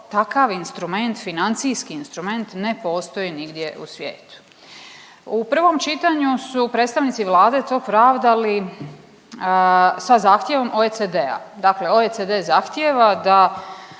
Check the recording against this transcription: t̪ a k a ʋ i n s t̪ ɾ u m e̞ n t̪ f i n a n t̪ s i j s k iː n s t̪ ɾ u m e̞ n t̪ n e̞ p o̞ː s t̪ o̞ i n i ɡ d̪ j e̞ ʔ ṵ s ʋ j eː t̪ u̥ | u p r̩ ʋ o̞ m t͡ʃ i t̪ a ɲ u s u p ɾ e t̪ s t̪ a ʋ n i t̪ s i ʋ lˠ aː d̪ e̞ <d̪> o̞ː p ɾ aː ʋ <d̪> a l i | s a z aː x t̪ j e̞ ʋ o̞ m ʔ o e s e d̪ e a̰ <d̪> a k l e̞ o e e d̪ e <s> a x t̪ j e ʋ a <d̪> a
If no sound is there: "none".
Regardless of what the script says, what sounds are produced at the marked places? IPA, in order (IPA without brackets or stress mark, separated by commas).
t̪, d̪, d̪, z, d̪